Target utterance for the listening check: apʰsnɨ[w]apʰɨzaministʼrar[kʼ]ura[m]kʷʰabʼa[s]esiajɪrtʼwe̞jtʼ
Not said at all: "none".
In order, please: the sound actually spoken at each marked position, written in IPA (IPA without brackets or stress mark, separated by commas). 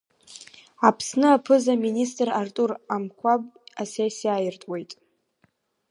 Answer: none, tʼ, m, s